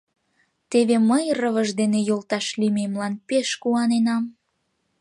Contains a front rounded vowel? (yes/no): no